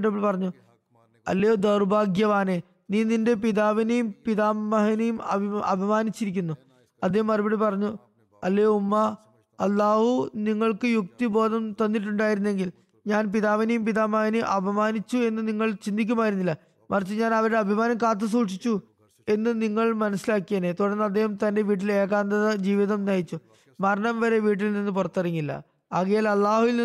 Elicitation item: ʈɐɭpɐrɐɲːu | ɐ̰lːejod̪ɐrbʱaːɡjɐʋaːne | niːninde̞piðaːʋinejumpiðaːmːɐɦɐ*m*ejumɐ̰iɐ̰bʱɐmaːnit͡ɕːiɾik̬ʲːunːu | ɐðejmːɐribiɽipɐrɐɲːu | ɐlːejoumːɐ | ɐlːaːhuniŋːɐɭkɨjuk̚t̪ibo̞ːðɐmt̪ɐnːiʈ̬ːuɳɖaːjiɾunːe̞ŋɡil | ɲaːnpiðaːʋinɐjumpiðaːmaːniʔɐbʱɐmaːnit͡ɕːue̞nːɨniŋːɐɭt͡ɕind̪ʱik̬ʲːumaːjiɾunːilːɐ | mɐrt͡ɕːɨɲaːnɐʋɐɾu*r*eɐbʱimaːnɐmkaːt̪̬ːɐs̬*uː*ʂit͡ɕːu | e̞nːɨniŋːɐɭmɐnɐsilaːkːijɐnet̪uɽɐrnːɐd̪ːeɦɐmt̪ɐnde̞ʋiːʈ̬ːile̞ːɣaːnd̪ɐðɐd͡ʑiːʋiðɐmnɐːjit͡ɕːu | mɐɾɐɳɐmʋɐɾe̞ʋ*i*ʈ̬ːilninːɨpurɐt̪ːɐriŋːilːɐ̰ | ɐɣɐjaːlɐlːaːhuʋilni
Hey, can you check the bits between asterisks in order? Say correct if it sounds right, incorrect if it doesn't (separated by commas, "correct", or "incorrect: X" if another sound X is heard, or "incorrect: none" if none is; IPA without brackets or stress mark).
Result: incorrect: n, incorrect: ɽ, correct, incorrect: iː